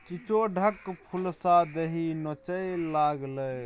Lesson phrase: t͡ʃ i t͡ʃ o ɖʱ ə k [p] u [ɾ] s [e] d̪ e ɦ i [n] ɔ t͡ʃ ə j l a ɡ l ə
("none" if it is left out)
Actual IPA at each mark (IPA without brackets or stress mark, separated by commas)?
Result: pʰ, l, a, n